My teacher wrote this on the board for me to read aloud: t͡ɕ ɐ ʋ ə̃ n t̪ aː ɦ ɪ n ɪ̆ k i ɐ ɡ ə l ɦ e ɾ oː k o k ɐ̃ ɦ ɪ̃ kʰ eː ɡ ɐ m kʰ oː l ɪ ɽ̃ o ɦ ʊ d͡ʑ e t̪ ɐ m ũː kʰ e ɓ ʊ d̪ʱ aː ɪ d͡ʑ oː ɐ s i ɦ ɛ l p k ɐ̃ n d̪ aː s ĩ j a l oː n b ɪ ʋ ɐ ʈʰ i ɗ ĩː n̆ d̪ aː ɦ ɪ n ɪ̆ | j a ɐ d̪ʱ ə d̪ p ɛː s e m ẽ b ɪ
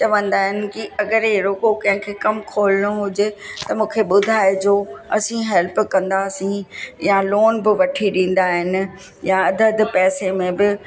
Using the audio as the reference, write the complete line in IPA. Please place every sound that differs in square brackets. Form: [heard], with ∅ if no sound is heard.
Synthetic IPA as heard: t͡ɕ ɐ ʋ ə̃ n [d̪] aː ɦ ɪ n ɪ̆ k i ɐ ɡ ə [ɾ] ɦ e ɾ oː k o k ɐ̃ ɦ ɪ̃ kʰ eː [k] ɐ m kʰ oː l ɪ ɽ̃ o ɦ ʊ d͡ʑ e t̪ ɐ m ũː kʰ e ɓ ʊ d̪ʱ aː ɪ d͡ʑ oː ɐ s [ĩ] ɦ ɛ l p k ɐ̃ n d̪ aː s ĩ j a l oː n b ɪ ʋ ɐ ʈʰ i ɗ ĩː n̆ d̪ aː ɦ ɪ n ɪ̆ | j a ɐ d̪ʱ ə d̪ p ɛː s e m ẽ b ɪ